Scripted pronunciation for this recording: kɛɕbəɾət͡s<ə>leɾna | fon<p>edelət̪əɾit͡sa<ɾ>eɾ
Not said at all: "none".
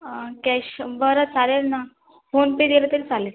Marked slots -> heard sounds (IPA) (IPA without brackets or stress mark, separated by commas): a, p, l